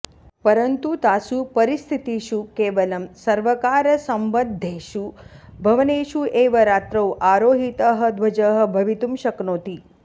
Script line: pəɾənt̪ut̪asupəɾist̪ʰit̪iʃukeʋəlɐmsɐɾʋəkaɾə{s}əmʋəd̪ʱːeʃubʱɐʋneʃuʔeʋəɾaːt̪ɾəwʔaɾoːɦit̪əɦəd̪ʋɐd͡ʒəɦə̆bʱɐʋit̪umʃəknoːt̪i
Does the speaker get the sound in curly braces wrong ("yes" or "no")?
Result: no